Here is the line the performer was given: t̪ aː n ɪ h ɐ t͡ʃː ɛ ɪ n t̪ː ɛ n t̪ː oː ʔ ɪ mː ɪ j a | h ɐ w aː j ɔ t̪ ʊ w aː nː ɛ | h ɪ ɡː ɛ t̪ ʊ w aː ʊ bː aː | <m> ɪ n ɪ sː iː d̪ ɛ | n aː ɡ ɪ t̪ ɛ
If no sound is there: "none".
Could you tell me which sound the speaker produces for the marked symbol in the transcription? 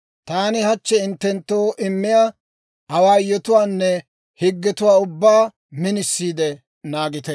m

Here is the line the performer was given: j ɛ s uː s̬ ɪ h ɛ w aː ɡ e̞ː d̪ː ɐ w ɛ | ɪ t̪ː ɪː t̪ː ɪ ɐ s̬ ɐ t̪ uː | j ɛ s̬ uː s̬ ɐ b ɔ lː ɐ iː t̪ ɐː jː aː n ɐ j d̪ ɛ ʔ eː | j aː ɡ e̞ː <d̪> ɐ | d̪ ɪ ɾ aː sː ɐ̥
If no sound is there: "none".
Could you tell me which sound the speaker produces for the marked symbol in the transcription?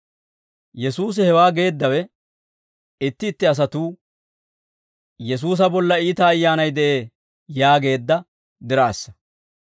d̪ː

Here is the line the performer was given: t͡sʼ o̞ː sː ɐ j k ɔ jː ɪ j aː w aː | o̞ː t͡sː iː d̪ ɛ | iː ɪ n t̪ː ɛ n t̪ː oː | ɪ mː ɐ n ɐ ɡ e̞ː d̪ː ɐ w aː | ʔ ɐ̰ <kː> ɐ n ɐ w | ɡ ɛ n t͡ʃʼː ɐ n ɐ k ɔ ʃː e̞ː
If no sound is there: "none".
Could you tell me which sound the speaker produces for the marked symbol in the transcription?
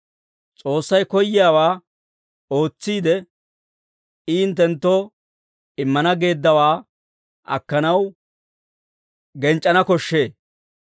kː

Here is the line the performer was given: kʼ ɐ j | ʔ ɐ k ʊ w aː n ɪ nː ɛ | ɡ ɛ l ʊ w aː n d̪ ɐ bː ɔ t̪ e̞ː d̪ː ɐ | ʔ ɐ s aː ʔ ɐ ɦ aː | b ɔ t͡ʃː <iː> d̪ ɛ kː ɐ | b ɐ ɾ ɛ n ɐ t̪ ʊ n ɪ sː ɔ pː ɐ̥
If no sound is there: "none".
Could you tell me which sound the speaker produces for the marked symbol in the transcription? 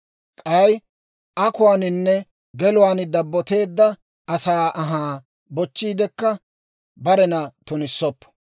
iː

